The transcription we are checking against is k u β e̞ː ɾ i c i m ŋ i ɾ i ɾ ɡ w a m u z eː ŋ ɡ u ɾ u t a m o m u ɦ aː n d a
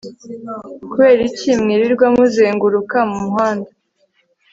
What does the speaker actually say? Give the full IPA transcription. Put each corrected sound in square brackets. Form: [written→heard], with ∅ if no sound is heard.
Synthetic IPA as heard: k u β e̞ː ɾ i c i m ŋ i ɾ i ɾ ɡ w a m u z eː ŋ ɡ u ɾ u [t→k] a m [o→u] m u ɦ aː n d a